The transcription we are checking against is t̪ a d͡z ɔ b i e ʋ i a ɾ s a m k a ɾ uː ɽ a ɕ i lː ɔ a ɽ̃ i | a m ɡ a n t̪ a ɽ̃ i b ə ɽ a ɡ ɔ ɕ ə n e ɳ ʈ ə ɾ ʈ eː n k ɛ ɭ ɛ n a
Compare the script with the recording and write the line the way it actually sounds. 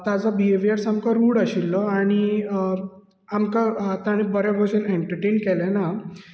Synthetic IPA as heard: t̪ a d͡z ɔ b i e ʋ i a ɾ s a m k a ɾ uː ɽ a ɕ i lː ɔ a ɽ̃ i | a m k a t̪ a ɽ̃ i b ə ɾ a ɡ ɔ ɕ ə n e ɳ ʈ ə ɾ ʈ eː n k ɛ l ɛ n a